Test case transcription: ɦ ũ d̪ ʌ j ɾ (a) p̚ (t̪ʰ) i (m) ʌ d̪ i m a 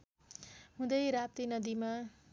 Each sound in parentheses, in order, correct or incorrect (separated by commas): correct, incorrect, incorrect